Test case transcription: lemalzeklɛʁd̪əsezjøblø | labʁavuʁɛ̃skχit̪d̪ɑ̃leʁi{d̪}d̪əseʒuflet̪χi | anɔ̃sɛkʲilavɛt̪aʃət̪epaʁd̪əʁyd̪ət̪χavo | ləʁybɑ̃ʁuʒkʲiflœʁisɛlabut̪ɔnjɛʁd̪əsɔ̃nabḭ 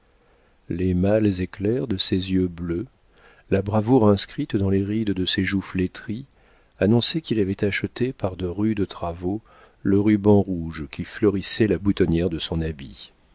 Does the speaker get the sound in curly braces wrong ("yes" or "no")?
no